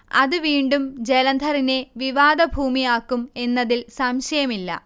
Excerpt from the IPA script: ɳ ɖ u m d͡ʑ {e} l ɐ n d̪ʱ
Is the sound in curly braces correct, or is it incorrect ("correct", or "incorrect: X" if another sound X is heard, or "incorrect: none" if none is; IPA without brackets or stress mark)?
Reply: correct